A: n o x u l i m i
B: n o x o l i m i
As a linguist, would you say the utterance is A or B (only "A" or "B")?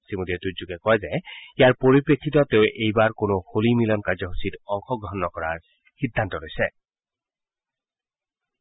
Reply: B